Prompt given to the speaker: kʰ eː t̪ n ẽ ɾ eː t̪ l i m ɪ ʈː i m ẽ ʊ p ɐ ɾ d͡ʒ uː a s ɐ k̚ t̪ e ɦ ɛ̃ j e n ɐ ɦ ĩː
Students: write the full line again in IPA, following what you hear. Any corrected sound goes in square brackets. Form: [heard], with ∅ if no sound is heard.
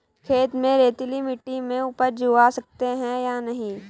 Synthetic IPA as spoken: kʰ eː t̪ [m] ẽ ɾ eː t̪ l i m ɪ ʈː i m ẽ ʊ p [ə] ɾ d͡ʒ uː a s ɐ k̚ t̪ e ɦ ɛ̃ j [a] n ɐ ɦ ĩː